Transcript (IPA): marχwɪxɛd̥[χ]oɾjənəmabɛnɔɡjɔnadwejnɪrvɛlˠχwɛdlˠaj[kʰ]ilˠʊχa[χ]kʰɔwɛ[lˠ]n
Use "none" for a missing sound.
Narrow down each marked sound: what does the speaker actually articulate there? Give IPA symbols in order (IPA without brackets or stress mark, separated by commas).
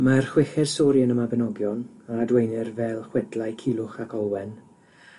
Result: s, kʰ, none, none